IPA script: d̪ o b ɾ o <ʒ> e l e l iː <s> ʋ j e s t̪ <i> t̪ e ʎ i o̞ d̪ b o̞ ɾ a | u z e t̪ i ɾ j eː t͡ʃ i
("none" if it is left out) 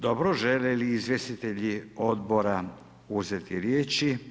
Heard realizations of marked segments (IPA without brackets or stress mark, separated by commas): ʒ, z, i